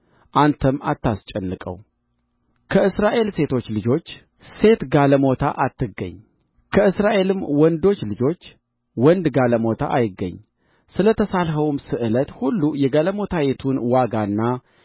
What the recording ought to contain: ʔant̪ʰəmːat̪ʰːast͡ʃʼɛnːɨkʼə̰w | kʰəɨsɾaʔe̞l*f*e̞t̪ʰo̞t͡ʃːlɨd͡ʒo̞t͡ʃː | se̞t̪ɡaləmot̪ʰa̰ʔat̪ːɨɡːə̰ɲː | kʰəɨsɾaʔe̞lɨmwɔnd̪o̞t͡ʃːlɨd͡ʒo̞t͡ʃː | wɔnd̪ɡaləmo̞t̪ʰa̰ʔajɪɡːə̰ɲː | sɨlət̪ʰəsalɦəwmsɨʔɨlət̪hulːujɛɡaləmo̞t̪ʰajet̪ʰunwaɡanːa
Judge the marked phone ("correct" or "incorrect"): incorrect